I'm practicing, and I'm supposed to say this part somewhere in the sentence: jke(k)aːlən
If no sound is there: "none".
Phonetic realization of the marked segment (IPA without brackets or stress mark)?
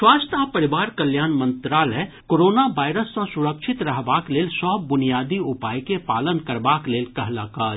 p